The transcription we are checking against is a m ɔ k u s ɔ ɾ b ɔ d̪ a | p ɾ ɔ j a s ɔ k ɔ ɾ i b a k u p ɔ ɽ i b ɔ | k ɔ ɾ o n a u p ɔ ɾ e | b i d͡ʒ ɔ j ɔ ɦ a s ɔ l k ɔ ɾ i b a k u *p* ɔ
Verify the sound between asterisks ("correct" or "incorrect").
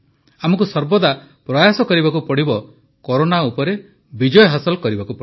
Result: correct